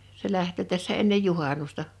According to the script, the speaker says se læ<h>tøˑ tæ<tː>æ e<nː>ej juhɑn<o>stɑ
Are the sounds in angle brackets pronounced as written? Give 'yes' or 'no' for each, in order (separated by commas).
yes, no, yes, no